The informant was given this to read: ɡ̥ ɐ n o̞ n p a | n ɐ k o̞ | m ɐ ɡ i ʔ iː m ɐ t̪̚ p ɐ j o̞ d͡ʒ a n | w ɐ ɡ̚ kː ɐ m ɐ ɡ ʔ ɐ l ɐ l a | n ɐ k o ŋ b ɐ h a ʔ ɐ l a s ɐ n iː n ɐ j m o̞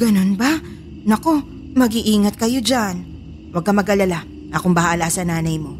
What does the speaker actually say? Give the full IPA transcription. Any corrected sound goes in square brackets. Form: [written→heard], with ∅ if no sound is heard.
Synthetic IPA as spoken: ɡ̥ ɐ n o̞ n [p→b] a | n ɐ k o̞ | m ɐ ɡ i ʔ iː [m→ŋ] ɐ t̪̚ [p→k] ɐ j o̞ d͡ʒ a n | w ɐ ɡ̚ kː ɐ m ɐ ɡ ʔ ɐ l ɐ l a | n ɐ k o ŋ b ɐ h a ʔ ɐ l a s ɐ n [iː→aː] n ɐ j m o̞